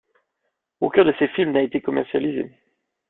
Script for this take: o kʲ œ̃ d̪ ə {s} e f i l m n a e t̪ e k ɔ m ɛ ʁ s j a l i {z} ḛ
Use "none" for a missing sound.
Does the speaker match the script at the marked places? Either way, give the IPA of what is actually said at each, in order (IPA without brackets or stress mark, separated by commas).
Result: s, z